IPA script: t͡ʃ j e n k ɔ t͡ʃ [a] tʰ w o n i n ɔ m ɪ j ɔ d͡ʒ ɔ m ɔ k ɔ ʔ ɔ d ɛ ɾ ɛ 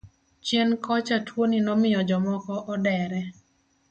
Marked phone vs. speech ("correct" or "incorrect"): correct